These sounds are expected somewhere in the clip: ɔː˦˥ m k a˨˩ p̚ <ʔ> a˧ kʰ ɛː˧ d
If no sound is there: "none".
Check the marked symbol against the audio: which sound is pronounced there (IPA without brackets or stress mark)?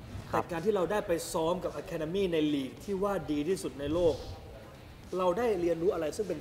ʔ